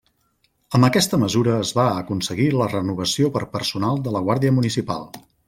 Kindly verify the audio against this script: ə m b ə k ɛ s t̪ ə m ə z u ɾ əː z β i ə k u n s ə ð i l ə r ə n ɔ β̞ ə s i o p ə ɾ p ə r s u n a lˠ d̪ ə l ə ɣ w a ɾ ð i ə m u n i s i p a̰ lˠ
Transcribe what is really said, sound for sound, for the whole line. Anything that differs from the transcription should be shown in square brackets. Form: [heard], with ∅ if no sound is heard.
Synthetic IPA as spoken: ə m b ə k ɛ s t̪ ə m ə z u ɾ əː z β [a] ə k u n s ə [ɣ] i l ə r ə n [u] β̞ ə s i o p ə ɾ p ə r s u n a lˠ d̪ ə l ə ɣ w a ɾ ð i ə m u n i s i p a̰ lˠ